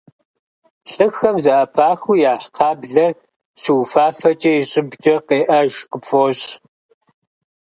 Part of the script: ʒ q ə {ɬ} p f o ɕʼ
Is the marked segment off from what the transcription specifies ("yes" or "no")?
yes